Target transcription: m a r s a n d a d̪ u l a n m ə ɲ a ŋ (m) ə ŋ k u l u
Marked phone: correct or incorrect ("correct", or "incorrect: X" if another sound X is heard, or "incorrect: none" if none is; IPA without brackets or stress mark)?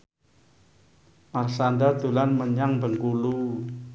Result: incorrect: b